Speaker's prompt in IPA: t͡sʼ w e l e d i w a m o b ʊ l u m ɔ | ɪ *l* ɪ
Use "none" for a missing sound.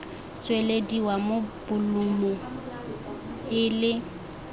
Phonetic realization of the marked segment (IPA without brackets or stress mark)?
l